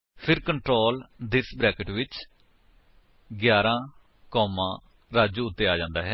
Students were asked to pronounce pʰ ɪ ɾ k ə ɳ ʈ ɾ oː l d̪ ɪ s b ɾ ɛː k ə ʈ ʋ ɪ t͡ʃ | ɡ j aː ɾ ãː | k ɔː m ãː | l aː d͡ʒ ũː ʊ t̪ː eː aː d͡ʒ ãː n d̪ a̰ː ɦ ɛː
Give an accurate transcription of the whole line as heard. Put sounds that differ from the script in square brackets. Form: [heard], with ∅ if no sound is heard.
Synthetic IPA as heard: pʰ ɪ ɾ k ə ɳ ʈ ɾ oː l d̪ ɪ s b ɾ ɛː k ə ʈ ʋ ɪ t͡ʃ | ɡ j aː ɾ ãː | k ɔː m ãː | [ɾ] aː d͡ʒ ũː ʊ t̪ː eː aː d͡ʒ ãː n d̪ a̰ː ɦ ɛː